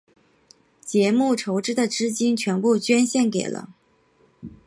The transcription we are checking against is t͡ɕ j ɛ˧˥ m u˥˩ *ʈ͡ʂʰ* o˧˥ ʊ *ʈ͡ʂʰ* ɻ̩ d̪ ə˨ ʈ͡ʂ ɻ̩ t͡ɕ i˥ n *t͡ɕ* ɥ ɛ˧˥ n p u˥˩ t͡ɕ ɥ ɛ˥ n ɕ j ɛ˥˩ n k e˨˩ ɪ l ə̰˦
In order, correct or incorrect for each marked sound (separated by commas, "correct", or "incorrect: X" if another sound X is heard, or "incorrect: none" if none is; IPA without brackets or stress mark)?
correct, incorrect: ʈ͡ʂ, incorrect: t͡ɕʰ